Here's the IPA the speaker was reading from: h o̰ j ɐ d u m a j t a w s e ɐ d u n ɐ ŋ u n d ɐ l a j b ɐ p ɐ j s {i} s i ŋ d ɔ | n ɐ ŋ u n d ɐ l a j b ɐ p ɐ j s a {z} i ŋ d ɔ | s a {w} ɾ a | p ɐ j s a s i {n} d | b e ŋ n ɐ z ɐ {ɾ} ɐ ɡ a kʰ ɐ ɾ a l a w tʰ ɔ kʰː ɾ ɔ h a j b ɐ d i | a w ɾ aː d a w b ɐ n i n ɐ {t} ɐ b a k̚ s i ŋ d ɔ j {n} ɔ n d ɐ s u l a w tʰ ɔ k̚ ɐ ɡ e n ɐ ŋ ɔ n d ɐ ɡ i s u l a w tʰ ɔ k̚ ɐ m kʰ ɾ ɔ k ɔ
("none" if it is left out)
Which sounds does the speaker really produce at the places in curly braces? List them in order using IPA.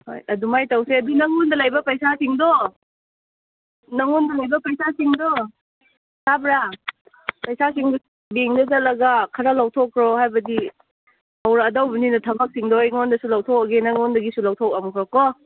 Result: a, s, b, ŋ, l, tʰ, ŋ

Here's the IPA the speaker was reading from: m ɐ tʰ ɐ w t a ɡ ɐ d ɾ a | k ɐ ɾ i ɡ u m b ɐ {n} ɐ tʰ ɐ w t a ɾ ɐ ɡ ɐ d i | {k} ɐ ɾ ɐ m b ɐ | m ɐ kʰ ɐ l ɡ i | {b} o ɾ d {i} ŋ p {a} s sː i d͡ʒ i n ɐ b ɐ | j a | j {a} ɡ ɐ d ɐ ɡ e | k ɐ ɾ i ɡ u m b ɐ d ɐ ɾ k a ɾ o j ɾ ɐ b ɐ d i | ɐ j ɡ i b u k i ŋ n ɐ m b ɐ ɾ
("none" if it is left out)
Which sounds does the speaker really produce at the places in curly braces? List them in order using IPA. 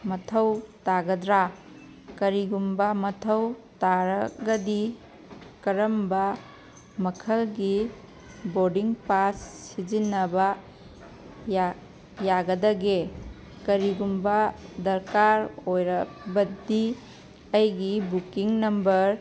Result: m, k, b, i, a, a

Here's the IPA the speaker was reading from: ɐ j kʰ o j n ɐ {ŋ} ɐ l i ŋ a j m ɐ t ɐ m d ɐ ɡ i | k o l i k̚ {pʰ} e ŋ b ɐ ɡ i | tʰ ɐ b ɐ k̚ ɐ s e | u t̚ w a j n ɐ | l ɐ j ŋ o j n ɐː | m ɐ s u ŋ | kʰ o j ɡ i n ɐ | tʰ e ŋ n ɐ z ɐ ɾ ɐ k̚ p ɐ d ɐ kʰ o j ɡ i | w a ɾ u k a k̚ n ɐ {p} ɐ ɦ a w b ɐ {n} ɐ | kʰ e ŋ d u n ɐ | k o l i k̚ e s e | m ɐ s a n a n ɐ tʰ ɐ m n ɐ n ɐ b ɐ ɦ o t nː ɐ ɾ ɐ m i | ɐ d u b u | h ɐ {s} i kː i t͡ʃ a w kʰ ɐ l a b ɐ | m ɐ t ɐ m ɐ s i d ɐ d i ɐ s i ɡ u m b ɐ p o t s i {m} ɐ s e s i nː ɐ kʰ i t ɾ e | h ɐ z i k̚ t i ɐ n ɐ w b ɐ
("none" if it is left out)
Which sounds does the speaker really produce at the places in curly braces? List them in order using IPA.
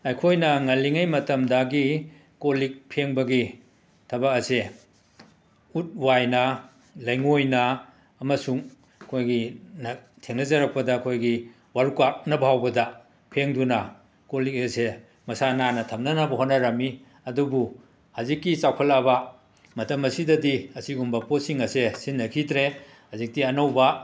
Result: ŋ, pʰ, b, d, z, ŋ

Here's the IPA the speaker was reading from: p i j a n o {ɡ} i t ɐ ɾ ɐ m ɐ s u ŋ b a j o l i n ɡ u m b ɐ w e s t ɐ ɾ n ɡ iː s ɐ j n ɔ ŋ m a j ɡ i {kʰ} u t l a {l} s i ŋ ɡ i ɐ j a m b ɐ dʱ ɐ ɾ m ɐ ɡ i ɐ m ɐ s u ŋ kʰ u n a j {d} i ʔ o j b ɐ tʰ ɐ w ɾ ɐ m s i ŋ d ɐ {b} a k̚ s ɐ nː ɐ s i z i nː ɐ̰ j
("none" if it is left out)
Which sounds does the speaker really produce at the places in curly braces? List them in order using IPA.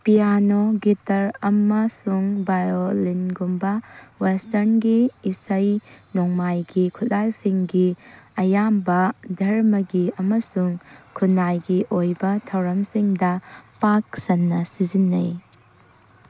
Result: ɡ, kʰ, l, ɡ, p

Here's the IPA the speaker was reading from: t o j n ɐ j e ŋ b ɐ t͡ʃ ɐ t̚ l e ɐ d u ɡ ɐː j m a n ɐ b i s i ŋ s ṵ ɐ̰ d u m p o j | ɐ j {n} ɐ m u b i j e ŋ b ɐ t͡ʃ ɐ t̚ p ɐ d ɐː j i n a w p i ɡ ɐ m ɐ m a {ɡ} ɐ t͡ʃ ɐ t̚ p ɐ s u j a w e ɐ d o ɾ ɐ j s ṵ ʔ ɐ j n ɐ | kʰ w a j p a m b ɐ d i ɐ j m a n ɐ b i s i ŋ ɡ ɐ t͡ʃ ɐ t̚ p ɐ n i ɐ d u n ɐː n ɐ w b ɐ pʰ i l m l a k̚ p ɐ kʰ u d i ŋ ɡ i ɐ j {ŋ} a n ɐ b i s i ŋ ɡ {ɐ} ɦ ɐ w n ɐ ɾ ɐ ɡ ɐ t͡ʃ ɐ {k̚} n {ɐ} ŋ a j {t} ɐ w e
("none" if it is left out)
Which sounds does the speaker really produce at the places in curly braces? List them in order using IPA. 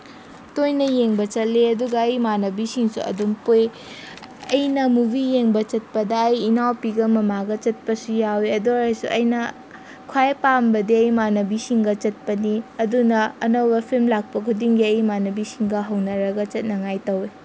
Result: n, ɡ, m, ɐ, t̚, ɐ, t

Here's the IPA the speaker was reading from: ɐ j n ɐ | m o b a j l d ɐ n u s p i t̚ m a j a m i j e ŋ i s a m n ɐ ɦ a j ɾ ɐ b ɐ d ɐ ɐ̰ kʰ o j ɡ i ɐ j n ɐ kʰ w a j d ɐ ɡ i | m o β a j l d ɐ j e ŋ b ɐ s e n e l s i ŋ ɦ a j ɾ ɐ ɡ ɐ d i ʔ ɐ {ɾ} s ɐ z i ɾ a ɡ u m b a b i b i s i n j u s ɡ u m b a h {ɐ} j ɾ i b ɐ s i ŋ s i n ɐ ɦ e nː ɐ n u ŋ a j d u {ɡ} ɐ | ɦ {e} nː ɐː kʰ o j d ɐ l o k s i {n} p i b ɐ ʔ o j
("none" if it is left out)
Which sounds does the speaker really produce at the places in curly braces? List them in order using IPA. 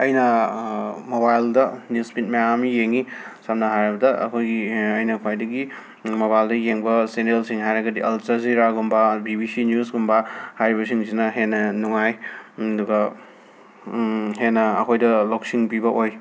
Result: l, a, ɡ, e, ŋ

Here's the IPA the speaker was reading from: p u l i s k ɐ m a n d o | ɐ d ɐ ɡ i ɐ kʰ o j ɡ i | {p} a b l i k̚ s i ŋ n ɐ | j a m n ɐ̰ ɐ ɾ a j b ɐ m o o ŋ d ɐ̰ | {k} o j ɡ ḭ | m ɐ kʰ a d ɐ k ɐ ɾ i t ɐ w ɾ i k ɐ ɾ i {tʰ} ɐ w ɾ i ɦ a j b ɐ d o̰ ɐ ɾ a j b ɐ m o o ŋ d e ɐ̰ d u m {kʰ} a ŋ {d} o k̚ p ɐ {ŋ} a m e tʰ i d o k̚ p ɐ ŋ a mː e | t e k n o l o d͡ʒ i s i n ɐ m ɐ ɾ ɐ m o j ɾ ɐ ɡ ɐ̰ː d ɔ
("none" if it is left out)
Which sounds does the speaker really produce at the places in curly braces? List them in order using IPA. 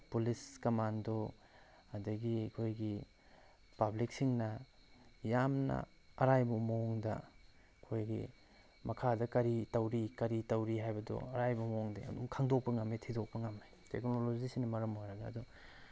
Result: p, kʰ, t, kʰ, d, ŋ

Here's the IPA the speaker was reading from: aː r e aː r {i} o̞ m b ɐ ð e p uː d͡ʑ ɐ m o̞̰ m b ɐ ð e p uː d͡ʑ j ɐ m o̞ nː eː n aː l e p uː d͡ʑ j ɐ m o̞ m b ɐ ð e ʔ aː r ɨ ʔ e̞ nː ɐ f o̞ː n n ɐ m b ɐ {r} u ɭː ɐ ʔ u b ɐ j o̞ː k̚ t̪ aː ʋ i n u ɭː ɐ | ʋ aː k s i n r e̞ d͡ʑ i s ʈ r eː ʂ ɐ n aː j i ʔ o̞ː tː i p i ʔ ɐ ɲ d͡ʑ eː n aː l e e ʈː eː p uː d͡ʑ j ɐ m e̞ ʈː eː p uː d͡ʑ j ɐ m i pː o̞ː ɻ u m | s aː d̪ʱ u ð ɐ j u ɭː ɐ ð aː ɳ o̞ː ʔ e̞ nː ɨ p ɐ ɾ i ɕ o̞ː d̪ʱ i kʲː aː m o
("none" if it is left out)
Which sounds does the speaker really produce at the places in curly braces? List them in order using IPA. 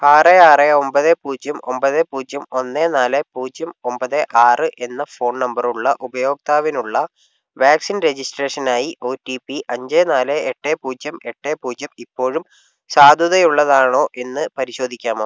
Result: e, r

